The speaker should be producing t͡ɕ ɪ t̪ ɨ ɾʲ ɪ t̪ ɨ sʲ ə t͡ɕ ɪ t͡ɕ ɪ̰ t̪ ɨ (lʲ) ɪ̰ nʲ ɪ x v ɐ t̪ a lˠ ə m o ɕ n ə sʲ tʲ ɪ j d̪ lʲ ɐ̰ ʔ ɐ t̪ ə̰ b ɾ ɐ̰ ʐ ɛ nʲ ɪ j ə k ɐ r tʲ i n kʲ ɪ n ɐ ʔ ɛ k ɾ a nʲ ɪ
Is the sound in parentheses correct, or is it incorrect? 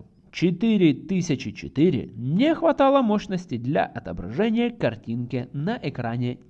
incorrect: ɾʲ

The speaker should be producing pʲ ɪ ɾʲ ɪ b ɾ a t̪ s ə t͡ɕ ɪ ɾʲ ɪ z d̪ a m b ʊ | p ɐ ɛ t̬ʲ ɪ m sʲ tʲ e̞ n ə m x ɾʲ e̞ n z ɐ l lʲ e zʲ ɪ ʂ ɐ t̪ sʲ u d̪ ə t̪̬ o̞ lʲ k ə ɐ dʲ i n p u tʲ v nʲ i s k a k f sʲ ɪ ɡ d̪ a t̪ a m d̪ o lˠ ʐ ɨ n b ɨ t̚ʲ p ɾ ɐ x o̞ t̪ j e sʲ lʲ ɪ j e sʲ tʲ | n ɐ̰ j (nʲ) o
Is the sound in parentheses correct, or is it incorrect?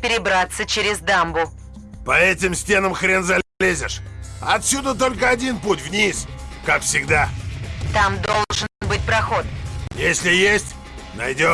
incorrect: dʲ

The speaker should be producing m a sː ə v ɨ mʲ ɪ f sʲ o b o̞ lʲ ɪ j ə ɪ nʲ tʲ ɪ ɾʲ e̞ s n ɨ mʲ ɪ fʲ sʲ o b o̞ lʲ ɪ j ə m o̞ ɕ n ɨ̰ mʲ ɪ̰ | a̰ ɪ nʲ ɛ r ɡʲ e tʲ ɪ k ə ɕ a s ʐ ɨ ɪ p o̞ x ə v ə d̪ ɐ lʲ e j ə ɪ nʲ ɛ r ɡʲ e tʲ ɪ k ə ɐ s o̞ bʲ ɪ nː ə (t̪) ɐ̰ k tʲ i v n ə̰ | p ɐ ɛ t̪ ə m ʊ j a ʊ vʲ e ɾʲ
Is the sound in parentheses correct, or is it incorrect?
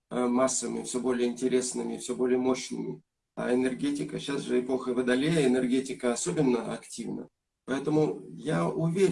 incorrect: none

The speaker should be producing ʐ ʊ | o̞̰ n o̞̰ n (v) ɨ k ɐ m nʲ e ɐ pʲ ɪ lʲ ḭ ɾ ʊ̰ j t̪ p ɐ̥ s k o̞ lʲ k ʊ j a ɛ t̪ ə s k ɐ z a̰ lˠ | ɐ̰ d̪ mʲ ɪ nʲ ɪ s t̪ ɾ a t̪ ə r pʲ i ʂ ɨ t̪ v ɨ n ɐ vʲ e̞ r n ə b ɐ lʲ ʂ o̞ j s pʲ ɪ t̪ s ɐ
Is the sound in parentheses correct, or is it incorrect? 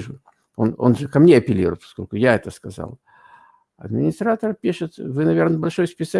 incorrect: ʐ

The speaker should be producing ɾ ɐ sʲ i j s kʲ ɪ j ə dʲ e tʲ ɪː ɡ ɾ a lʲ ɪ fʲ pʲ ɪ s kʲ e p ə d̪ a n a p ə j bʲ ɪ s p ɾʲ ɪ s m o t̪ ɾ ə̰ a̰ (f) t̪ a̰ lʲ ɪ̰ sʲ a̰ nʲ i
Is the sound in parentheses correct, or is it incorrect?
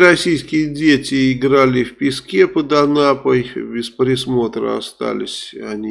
incorrect: s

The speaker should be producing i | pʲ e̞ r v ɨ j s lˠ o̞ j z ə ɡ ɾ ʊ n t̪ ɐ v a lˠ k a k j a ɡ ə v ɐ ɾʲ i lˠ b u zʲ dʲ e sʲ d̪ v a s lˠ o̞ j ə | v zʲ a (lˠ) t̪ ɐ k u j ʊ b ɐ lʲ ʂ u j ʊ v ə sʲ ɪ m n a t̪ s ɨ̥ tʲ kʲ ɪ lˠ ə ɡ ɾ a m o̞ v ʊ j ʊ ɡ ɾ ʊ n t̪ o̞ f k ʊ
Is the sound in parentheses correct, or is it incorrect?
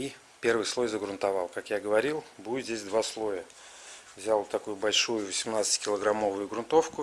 correct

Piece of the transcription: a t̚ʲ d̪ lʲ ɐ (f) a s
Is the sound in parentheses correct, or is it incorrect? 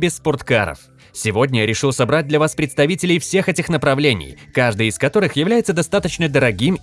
incorrect: v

